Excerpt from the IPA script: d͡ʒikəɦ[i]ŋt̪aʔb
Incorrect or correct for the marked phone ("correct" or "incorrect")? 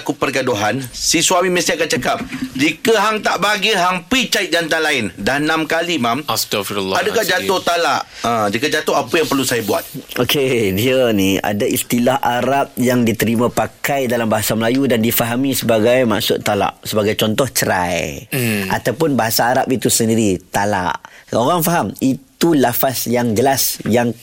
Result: incorrect